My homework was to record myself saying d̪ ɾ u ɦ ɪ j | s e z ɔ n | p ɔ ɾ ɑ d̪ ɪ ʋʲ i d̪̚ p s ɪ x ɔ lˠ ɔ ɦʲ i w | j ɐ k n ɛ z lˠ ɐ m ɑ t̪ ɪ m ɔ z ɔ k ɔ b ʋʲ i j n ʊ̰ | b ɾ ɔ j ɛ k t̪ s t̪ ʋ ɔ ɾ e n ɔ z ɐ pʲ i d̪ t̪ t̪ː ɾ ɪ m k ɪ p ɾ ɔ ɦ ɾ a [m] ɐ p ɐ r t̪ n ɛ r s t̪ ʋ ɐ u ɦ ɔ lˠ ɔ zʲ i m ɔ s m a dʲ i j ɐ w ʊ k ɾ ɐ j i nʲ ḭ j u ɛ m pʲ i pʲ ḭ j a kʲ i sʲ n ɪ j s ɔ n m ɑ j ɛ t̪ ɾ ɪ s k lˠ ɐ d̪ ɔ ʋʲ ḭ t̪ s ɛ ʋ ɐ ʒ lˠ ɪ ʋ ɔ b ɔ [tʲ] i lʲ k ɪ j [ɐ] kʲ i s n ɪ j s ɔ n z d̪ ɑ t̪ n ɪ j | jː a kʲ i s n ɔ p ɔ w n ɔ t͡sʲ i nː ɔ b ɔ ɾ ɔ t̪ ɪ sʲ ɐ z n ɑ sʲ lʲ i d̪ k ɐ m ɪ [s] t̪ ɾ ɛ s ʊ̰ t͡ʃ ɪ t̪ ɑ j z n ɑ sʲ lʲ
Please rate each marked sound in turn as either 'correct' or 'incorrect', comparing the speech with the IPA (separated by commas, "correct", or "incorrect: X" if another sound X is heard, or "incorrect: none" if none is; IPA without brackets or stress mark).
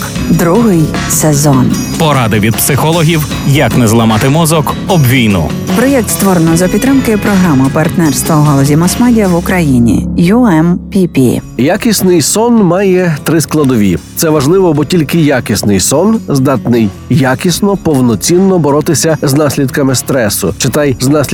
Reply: correct, correct, incorrect: a, correct